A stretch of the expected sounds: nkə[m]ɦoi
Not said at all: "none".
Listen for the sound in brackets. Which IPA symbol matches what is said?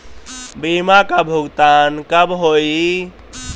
b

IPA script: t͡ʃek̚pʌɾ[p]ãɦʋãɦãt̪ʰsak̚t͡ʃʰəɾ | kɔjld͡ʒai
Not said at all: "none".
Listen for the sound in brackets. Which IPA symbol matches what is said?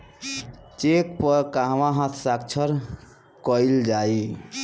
k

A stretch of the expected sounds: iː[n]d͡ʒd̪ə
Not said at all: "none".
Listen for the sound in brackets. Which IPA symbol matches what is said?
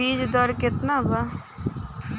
none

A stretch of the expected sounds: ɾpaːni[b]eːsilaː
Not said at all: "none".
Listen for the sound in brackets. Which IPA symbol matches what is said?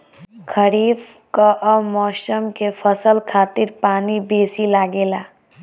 b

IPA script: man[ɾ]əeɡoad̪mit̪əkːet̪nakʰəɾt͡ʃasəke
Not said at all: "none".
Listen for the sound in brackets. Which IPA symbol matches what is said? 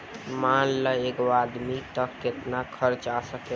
l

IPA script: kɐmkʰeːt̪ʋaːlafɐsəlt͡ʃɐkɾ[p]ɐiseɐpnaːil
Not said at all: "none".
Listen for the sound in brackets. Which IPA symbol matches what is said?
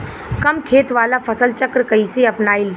k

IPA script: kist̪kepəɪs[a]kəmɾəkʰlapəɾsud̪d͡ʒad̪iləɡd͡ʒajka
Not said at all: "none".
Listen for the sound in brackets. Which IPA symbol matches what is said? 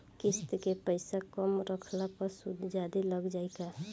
a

